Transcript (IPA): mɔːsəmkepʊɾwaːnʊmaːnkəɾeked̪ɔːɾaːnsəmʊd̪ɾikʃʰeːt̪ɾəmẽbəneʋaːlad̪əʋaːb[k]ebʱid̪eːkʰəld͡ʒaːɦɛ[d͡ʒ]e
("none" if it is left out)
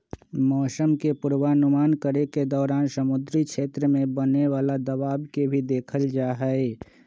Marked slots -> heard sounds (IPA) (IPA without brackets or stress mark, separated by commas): k, none